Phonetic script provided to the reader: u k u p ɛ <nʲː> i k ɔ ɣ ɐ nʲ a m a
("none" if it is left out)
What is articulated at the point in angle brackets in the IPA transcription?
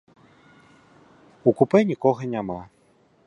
nʲ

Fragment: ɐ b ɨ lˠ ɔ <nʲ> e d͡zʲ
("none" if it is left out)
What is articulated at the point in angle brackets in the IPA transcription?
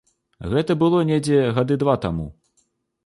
nʲ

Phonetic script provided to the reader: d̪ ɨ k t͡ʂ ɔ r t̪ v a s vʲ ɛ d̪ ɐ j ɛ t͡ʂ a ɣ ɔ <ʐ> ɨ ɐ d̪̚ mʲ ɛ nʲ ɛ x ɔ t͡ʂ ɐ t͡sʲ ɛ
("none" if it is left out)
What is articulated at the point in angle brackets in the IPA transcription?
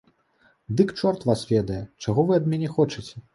v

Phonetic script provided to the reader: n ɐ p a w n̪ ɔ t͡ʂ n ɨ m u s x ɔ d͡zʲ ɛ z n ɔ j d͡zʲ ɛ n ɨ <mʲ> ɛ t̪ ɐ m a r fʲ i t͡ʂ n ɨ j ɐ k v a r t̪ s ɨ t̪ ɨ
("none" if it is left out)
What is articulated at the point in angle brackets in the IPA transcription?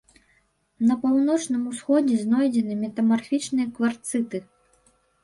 mʲ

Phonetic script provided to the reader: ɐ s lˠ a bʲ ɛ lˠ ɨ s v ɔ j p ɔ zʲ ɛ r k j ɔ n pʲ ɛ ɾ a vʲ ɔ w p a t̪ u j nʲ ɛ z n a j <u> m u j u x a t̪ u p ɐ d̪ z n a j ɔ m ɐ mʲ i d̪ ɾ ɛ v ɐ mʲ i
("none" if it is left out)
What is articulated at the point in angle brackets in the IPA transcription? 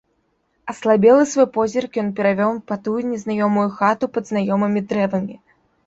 ɔ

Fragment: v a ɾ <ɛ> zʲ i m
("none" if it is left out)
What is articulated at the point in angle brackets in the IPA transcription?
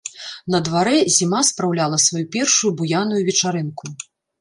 ɛ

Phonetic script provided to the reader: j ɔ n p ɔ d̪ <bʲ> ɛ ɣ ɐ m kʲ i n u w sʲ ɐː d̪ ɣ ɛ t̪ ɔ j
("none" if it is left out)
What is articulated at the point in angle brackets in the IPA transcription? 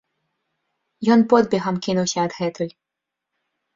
bʲ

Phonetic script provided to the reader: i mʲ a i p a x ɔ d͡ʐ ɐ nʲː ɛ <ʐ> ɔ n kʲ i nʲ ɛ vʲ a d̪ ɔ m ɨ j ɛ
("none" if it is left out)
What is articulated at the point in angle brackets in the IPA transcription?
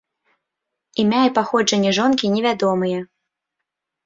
ʐ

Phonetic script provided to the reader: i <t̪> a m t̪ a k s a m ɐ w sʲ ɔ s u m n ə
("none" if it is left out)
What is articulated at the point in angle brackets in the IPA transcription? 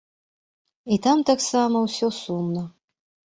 t̪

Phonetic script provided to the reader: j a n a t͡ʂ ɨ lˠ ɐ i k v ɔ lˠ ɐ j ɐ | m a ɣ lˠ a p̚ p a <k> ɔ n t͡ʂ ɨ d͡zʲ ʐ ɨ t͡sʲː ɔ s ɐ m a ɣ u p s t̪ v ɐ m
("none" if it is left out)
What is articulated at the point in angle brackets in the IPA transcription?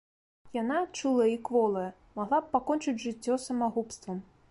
k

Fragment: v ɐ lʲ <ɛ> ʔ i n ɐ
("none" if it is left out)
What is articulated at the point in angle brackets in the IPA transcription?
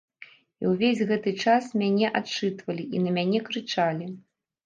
i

